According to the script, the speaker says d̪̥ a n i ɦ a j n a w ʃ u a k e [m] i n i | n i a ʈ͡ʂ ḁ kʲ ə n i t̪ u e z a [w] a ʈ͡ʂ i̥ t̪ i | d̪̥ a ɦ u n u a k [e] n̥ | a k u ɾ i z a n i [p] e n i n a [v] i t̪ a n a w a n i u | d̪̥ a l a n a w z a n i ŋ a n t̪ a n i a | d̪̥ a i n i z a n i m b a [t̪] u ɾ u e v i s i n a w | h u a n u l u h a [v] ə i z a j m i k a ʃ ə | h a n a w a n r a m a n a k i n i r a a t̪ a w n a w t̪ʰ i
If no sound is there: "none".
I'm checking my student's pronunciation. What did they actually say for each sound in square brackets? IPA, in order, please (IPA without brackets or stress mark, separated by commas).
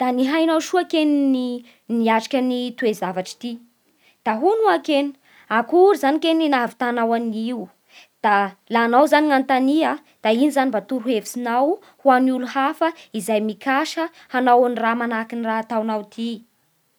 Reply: n, v, e, k, v, t̪, f